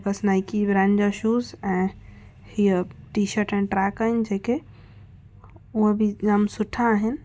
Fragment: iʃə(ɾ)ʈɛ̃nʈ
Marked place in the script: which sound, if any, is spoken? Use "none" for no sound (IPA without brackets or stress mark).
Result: ɾ